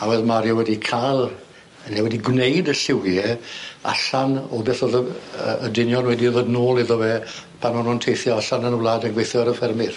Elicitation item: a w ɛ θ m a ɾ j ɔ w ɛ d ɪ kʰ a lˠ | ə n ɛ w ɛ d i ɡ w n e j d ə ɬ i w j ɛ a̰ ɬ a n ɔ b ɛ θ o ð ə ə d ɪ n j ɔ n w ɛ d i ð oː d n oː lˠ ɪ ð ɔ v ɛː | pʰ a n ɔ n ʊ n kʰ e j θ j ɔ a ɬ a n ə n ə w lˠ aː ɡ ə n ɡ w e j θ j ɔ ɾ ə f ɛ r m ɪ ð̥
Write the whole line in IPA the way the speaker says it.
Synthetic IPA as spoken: a w ɛ ð m a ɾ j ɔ w ɛ d i kʰ a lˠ | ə n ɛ w ɛ d i ɡ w n e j d ə ɬ ɪ w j ɛ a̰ ɬ a n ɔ b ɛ θ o ð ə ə d ɪ n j ɔ n w ɛ d i ð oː d n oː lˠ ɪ ð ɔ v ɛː | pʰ a n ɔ n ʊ n tʰ e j θ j ɔ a ɬ a n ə n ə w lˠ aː d ə n ɡ w e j θ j ɔ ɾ ə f ɛ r m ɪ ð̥